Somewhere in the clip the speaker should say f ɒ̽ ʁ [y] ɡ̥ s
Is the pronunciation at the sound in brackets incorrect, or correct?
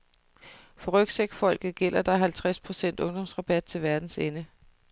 incorrect